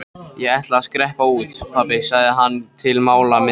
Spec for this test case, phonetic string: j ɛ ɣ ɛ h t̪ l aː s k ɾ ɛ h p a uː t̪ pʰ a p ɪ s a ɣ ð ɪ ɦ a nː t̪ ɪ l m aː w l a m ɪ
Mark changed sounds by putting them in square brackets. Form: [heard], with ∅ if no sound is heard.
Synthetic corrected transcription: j ɛ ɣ ɛ h t̪ l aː s k ɾ ɛ h p a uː t̪ pʰ a p ɪ s a ɣ ð ɪ ɦ a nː [t̪ʰ] ɪ l m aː w l a m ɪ

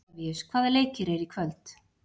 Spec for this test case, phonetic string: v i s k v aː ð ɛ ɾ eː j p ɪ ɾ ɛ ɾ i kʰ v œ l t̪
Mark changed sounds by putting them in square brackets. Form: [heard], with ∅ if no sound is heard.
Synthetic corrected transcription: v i s [kʰ] v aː ð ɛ [l] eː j [c] ɪ ɾ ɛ ɾ i kʰ v œ l t̪

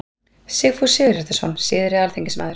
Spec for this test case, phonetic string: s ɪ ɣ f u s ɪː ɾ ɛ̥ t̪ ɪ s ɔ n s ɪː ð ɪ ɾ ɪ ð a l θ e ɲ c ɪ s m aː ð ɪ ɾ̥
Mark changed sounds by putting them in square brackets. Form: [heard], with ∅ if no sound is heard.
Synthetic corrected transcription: s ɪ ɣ f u s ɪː ɾ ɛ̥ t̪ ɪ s ɔ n s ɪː ð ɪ ɾ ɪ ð a l θ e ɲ c ɪ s m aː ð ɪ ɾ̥

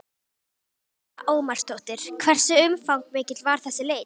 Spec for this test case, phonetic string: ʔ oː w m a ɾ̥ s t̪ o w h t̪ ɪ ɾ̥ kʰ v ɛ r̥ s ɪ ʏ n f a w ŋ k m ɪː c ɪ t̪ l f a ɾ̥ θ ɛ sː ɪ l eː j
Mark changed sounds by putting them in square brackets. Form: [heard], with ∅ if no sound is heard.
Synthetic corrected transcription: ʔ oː w m a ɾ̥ s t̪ o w h t̪ ɪ ɾ̥ kʰ v ɛ r̥ s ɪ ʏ [m] f a w ŋ k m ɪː c ɪ t̪ l [v] a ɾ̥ θ ɛ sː ɪ l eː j

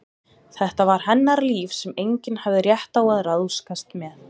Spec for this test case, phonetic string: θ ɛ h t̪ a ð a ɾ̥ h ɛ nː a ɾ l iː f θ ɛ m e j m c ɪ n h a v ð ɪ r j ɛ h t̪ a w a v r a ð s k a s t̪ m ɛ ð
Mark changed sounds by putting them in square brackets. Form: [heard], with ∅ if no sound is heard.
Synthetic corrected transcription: θ ɛ h t̪ a [v] a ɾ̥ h ɛ nː a ɾ l iː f [s] ɛ m e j [ɲ] c ɪ n h a v ð ɪ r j ɛ h t̪ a w a [ð] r a ð s k a s t̪ m ɛ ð

